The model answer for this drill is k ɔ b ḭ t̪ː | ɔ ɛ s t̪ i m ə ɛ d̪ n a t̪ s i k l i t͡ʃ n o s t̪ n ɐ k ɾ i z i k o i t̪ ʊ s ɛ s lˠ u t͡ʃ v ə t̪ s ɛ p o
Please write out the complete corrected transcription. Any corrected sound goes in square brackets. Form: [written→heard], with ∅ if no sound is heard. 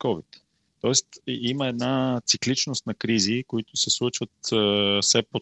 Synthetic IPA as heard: k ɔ [b→v] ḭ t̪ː | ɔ ɛ s t̪ i m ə ɛ d̪ n a t̪ s i k l i t͡ʃ n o s t̪ n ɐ k ɾ i z i k o i t̪ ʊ s ɛ s lˠ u t͡ʃ v ə t̪ s ɛ p o